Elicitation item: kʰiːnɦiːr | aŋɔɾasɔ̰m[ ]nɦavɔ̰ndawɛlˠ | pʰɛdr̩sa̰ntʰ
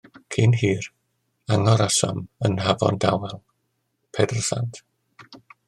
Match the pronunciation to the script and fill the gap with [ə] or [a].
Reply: ə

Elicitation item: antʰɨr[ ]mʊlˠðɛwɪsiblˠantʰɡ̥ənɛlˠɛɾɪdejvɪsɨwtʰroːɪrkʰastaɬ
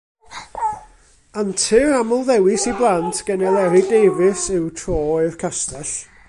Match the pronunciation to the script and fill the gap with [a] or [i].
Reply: a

